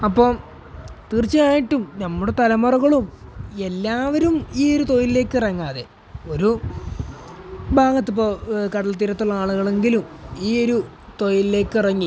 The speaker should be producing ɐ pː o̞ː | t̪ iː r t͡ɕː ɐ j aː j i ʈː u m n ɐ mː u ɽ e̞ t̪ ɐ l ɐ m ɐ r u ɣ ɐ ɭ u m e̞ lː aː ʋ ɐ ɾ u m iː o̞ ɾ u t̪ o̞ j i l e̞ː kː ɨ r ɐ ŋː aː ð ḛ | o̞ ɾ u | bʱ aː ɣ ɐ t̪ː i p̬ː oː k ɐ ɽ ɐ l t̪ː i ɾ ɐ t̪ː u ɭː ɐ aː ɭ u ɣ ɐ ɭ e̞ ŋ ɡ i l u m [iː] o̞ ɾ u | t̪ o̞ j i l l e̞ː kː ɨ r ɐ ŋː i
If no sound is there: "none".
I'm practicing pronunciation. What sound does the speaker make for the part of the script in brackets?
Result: iː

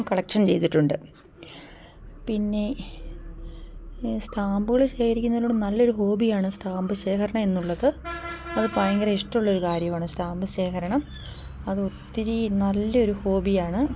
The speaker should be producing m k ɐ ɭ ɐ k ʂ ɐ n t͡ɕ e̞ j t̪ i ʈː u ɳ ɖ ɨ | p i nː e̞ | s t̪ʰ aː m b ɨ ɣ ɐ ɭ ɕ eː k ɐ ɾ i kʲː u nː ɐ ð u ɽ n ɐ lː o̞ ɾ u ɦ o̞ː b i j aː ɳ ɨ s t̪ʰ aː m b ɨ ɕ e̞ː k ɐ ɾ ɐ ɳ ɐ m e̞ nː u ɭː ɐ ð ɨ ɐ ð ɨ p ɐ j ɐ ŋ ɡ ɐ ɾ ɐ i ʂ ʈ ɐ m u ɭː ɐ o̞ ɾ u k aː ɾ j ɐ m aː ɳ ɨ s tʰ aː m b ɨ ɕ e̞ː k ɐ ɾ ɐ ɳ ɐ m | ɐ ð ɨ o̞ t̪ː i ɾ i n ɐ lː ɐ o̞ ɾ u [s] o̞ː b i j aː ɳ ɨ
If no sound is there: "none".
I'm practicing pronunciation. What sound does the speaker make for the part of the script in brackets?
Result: h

